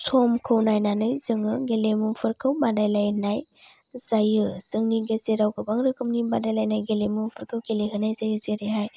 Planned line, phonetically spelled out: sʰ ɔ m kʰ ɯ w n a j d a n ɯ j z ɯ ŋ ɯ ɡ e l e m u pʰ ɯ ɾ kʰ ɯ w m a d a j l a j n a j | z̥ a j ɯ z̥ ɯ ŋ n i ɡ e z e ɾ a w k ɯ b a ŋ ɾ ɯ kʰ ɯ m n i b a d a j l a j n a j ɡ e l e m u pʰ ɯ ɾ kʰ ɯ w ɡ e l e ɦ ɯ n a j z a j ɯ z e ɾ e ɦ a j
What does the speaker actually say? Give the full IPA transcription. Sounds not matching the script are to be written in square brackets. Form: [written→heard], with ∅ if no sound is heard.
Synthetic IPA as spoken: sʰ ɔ m kʰ ɯ w n a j [d→n] a n ɯ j z ɯ ŋ ɯ ɡ e l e m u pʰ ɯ ɾ kʰ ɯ w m a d a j l a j n a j | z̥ a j ɯ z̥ ɯ ŋ n i ɡ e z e ɾ a w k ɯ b a ŋ ɾ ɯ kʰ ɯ m n i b a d a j l a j n a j ɡ e l e m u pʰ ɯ ɾ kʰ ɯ w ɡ e l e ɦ ɯ n a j z a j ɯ z e ɾ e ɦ a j